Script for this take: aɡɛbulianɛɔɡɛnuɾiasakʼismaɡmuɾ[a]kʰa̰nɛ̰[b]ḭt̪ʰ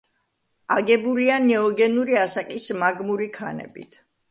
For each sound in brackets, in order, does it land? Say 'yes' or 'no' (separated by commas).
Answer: no, yes